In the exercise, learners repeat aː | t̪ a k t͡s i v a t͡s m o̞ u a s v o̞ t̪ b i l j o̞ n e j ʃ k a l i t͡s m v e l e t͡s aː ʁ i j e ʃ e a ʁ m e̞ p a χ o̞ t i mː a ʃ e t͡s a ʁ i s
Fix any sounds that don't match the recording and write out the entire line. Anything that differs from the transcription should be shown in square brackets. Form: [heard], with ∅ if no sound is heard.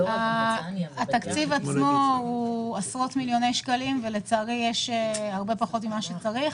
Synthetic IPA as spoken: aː | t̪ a k t͡s i v a t͡s m o̞ u a s [ʁ] o̞ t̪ [m] i l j o̞ n e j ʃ k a l i [∅] m v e l e t͡s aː ʁ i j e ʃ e a ʁ [b] e̞ p a χ o̞ t i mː a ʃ e t͡s a ʁ i [χ]